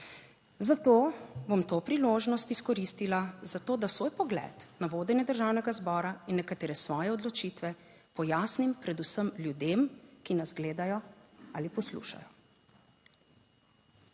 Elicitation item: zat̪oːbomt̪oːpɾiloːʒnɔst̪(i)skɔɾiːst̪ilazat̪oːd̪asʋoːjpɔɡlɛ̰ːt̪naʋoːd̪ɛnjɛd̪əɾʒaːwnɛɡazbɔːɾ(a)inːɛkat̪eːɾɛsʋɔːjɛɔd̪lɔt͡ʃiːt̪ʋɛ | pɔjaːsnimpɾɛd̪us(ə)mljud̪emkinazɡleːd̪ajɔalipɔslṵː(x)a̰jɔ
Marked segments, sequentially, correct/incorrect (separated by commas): correct, correct, correct, incorrect